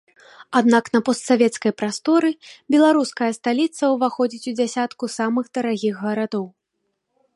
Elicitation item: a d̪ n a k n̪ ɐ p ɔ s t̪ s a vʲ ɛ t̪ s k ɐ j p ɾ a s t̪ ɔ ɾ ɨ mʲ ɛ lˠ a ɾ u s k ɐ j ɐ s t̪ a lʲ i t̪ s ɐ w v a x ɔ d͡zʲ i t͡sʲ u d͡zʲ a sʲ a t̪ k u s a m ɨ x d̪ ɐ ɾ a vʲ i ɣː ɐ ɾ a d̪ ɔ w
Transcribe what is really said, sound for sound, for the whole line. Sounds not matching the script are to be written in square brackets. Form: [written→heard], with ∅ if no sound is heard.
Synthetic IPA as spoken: a d̪ n a k n̪ ɐ p ɔ s t̪ s a vʲ ɛ t̪ s k ɐ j p ɾ a s t̪ ɔ ɾ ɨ [mʲ→bʲ] ɛ lˠ a ɾ u s k ɐ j ɐ s t̪ a lʲ i t̪ s ɐ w v a x ɔ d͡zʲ i t͡sʲ u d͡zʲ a sʲ a t̪ k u s a m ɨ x d̪ ɐ ɾ a [vʲ→ɣʲ] i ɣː ɐ ɾ a d̪ ɔ w